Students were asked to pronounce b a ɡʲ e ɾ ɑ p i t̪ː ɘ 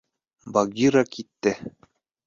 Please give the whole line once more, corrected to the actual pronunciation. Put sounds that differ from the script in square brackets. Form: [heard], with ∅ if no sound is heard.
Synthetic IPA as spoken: b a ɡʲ [i] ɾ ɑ [k] i t̪ː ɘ